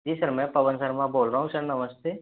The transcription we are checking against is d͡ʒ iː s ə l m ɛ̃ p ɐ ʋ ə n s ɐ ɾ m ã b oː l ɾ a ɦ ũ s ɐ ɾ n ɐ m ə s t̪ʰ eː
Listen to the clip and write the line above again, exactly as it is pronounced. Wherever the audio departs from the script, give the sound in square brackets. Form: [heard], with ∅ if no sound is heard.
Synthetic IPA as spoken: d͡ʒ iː s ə [ɾ] m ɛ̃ p ɐ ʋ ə n s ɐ ɾ m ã b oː l ɾ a ɦ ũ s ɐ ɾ n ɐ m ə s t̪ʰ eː